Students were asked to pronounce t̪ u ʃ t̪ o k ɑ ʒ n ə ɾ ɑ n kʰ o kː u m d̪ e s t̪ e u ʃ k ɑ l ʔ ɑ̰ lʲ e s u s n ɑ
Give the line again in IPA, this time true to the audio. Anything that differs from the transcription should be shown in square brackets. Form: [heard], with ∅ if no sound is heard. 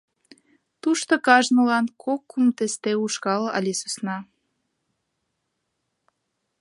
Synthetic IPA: t̪ u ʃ t̪ o k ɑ ʒ n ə [l] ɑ n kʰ o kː u m [t̪] e s t̪ e u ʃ k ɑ l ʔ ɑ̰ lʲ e s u s n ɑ